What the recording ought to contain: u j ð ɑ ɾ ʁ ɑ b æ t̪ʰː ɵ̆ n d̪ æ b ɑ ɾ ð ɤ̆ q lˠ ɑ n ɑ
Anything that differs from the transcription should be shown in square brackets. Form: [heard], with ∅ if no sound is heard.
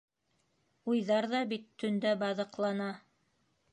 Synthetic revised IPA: u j ð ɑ ɾ [ð] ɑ b [i] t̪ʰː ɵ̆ n d̪ æ b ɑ [∅] ð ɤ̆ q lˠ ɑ n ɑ